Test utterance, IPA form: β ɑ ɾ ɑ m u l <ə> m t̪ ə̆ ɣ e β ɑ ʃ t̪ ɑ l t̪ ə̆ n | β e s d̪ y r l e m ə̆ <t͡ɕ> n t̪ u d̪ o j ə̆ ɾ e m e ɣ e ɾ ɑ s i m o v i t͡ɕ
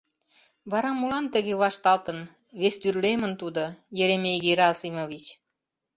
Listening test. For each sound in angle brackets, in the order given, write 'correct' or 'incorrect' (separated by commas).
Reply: incorrect, incorrect